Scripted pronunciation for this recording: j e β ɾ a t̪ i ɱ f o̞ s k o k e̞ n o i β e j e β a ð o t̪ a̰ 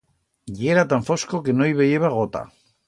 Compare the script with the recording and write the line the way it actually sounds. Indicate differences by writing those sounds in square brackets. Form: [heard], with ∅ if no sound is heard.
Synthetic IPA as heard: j e [∅] ɾ a t̪ [a] ɱ f o̞ s k o k e̞ n o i β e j e β a [ɣ] o t̪ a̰